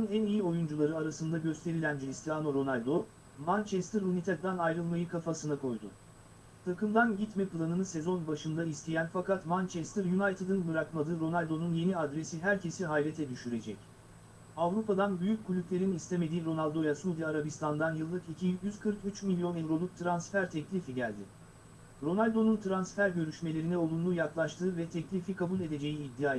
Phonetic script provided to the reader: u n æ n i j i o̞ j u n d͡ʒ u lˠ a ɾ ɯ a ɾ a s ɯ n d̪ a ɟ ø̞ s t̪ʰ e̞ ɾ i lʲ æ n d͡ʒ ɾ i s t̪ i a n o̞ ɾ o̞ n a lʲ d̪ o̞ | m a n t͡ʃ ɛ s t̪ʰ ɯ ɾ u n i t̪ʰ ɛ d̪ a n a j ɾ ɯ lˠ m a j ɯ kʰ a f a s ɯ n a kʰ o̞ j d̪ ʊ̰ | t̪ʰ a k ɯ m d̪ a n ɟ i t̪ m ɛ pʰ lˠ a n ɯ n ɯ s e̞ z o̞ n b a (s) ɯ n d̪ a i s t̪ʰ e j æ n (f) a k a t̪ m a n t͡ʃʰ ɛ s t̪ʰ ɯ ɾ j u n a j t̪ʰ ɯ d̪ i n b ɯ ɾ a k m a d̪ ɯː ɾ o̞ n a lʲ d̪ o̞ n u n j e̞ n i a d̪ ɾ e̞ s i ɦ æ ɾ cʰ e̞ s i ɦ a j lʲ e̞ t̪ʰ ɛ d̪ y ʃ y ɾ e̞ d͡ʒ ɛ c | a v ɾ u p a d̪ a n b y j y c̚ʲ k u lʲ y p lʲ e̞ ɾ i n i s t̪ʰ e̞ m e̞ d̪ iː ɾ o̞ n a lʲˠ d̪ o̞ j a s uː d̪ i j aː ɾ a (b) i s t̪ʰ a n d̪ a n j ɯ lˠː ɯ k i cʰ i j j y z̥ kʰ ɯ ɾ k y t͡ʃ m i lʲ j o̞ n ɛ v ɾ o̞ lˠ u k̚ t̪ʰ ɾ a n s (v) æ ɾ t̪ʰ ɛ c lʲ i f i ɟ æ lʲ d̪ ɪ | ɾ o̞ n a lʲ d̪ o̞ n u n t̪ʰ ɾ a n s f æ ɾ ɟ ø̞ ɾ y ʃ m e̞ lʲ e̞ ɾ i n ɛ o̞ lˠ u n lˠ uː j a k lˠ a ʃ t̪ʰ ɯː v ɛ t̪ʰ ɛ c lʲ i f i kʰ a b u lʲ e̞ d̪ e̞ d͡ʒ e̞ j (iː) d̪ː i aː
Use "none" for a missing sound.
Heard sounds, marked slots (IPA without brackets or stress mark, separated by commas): ʃ, f, b, f, iː